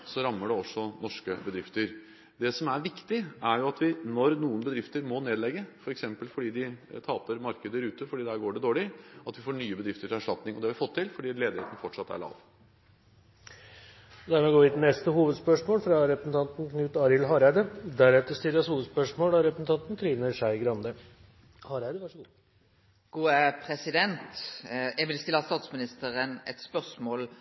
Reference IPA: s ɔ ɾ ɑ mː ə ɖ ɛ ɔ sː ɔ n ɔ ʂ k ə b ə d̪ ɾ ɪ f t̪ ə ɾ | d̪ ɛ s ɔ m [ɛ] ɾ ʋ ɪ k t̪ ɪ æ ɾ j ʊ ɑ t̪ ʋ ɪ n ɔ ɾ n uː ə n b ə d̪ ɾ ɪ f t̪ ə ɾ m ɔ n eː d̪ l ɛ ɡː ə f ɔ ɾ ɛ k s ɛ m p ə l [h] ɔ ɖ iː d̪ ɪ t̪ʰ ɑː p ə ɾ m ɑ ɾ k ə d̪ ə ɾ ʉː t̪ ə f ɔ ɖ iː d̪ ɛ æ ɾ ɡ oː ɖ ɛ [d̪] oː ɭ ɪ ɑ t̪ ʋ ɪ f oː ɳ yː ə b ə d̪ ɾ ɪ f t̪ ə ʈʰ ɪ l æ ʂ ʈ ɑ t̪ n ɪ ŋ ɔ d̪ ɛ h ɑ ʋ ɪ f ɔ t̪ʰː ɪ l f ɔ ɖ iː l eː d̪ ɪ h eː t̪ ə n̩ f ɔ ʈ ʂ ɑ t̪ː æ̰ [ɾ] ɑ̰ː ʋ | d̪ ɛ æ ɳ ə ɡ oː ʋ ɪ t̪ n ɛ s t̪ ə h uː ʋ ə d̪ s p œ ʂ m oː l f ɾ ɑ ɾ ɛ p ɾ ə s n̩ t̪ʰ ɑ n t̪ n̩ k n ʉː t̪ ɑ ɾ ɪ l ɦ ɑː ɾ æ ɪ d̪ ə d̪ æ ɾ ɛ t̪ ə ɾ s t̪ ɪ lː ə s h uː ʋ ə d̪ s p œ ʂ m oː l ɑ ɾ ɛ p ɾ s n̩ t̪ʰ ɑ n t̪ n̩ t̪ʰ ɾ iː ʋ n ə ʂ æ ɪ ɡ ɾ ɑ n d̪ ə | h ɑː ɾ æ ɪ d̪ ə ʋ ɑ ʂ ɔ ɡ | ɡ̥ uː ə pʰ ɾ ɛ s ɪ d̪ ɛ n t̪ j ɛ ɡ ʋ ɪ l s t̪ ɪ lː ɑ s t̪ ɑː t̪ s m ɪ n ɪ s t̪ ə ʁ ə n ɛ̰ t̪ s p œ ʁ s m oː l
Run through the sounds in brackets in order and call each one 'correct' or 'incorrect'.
incorrect, incorrect, correct, incorrect

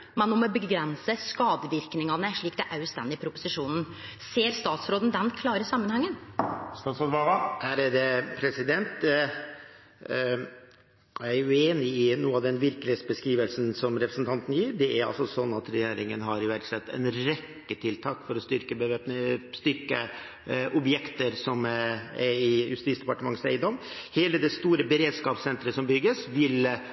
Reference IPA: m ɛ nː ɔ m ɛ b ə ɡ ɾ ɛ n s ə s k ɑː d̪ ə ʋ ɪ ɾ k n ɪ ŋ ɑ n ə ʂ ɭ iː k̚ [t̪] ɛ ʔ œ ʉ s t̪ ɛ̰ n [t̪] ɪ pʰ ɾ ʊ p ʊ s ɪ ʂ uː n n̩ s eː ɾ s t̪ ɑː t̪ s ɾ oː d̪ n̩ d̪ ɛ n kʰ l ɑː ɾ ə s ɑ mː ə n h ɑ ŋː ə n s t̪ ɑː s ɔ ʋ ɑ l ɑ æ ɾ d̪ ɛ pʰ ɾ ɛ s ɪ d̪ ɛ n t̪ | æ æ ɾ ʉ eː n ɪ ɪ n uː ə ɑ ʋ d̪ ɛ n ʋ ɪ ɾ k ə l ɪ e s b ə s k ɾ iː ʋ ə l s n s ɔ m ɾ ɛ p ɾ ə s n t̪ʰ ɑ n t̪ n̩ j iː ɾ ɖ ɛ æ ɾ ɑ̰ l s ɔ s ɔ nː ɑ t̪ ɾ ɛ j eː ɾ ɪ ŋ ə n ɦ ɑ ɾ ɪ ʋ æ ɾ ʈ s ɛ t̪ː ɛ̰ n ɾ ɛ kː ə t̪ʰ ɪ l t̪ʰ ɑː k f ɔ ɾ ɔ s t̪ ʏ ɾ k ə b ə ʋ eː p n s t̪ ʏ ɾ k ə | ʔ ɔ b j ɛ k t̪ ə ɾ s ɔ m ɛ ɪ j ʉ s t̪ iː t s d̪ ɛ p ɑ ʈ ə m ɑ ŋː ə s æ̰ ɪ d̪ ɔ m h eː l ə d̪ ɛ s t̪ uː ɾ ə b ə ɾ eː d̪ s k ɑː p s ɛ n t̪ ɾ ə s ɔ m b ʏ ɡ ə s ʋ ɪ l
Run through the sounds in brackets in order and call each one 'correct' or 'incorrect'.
incorrect, incorrect

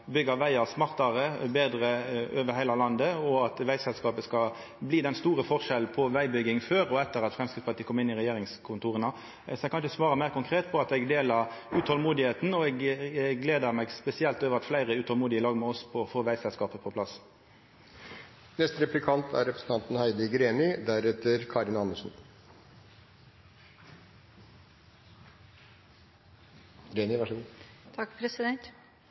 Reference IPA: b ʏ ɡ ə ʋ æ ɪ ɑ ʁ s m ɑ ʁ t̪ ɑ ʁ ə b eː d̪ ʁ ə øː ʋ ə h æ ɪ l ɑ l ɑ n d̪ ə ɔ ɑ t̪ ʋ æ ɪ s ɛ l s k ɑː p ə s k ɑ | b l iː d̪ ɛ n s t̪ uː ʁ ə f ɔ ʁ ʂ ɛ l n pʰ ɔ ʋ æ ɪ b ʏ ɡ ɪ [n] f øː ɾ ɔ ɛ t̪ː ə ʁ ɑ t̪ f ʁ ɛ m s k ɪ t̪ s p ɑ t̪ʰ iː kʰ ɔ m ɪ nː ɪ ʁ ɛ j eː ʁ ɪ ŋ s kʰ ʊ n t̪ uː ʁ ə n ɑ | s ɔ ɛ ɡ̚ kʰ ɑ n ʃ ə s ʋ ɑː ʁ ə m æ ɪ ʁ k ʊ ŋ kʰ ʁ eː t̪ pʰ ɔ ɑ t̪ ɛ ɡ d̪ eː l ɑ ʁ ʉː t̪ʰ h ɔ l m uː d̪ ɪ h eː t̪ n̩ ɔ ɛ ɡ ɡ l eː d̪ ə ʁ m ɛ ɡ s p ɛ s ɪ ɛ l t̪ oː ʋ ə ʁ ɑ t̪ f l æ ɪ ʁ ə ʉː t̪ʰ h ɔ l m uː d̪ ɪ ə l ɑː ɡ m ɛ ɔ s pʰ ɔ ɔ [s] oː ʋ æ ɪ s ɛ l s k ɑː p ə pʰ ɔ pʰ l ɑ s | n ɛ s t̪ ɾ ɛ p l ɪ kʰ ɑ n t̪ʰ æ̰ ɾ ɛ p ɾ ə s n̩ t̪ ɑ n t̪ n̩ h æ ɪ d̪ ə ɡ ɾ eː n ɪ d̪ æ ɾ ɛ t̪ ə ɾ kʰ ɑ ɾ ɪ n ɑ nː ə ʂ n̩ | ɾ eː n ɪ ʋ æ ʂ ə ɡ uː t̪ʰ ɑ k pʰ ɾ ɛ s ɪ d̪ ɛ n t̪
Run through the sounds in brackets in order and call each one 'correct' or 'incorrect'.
incorrect, incorrect

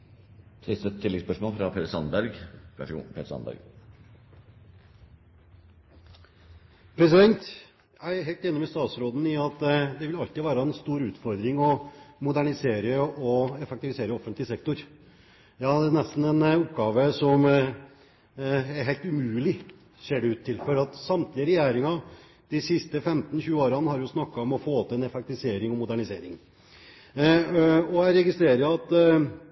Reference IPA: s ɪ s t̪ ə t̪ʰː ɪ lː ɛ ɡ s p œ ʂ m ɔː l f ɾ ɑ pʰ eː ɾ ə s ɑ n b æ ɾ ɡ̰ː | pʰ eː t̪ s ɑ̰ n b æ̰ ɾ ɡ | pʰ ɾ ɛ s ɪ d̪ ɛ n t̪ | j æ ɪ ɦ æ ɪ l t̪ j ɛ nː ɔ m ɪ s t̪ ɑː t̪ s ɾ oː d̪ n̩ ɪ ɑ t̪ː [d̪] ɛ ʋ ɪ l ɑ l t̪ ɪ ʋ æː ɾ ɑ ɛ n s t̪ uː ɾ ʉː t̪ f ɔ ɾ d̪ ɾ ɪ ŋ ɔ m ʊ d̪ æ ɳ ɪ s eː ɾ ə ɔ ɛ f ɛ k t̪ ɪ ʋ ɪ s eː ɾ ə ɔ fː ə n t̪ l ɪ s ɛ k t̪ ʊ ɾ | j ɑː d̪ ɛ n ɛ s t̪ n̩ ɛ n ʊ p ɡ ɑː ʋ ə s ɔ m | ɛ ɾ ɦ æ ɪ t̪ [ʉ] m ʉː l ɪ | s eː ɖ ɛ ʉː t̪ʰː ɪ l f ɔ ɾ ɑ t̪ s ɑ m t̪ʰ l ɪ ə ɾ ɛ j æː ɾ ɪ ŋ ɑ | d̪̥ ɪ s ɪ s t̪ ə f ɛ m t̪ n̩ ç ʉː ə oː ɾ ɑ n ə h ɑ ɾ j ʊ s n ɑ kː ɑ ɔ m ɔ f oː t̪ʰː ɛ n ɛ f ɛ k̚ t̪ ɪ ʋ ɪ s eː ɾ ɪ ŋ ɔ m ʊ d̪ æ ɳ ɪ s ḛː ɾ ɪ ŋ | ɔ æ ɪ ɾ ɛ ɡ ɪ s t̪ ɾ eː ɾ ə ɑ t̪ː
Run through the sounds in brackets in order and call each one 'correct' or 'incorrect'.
correct, correct

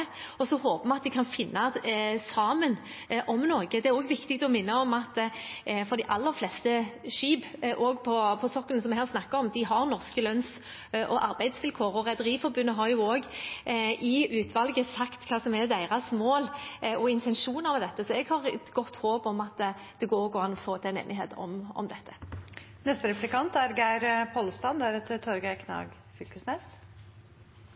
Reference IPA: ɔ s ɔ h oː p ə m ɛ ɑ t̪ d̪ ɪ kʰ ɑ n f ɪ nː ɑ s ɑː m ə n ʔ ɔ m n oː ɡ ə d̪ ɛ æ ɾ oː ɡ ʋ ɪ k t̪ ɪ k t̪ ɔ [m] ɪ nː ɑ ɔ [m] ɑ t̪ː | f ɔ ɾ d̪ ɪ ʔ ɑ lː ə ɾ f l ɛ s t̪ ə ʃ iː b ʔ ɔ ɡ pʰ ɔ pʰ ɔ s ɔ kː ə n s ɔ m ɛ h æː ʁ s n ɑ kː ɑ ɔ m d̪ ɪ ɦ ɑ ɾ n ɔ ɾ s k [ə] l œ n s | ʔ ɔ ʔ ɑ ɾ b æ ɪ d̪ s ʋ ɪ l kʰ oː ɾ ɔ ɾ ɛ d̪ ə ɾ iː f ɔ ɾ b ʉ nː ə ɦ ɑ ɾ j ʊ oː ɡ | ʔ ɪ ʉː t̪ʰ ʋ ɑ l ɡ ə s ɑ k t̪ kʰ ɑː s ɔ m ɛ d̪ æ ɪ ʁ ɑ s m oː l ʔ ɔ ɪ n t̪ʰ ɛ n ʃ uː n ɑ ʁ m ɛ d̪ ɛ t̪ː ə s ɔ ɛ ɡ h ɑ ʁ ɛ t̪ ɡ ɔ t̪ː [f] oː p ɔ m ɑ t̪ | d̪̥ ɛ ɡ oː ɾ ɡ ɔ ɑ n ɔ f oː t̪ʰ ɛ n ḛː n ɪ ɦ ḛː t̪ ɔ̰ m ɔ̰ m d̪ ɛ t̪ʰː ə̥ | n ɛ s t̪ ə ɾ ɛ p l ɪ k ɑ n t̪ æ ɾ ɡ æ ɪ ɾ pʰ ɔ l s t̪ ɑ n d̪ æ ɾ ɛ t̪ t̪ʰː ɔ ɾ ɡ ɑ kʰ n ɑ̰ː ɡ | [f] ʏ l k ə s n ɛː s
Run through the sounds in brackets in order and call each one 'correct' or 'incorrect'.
correct, correct, correct, incorrect, correct

